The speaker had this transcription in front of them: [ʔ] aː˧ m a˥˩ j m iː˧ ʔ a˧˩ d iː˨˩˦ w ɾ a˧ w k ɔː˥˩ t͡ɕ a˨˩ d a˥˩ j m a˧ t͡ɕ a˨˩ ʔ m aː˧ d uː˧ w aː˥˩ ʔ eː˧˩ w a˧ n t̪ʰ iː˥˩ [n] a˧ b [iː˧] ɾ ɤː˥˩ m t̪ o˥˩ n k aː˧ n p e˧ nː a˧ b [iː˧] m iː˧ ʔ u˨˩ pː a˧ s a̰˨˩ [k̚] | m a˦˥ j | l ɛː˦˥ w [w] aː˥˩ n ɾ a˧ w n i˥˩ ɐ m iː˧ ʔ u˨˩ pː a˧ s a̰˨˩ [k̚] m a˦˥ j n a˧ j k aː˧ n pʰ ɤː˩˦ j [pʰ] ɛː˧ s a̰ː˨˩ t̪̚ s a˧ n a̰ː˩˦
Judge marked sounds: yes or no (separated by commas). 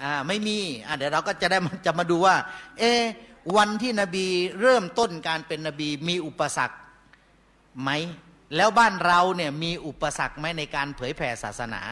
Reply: yes, yes, yes, yes, yes, no, yes, yes